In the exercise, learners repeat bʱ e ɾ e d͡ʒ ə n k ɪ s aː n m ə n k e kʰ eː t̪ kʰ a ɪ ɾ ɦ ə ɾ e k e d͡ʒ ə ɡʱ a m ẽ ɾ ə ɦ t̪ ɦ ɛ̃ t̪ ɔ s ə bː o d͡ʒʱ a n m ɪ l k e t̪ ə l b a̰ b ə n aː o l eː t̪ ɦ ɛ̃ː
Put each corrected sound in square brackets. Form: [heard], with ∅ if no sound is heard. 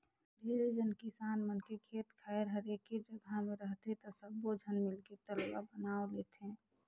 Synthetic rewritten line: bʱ e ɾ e d͡ʒ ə n k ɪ s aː n m ə n k e kʰ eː t̪ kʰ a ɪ ɾ ɦ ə ɾ e k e d͡ʒ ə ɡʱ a m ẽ ɾ ə ɦ t̪ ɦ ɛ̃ t̪ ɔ s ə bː o d͡ʒʱ [ə] n m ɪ l k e t̪ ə l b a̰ b ə n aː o l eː t̪ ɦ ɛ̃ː